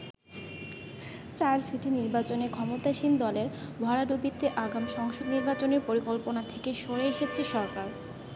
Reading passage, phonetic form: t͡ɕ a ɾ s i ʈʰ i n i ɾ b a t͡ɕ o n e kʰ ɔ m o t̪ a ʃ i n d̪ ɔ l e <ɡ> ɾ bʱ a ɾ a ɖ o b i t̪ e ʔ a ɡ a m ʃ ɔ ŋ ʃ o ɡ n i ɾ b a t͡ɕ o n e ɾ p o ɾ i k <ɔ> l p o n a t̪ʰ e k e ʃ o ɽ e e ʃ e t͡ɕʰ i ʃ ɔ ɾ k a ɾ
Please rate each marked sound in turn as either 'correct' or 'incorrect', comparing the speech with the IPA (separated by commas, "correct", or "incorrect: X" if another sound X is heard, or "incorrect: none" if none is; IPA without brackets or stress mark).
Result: incorrect: none, incorrect: o